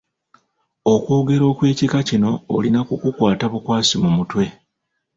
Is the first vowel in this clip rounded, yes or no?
yes